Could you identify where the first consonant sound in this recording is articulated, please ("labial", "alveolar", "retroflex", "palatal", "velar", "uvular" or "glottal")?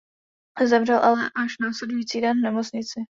alveolar